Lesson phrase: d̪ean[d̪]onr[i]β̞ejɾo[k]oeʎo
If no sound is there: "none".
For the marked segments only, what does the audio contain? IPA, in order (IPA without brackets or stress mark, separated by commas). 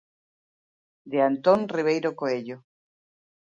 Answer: t̪, i, k